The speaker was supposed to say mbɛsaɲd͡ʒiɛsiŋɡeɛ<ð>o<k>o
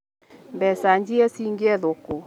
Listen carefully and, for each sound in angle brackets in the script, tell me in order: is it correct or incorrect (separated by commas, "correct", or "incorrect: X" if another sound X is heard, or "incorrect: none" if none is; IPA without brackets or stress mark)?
correct, correct